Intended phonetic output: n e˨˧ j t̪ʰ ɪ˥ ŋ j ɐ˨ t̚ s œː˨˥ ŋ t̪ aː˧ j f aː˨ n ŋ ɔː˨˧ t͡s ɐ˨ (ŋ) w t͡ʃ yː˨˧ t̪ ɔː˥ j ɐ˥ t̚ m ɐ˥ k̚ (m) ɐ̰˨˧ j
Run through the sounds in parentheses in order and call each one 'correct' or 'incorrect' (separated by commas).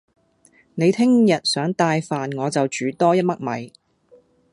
incorrect, correct